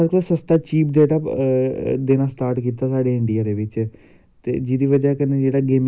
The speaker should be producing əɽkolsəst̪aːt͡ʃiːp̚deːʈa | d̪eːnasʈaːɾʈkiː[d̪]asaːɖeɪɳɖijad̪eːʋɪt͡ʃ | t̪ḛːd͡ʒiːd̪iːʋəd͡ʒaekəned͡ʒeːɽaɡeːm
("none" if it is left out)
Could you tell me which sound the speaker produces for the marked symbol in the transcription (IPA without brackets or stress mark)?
t̪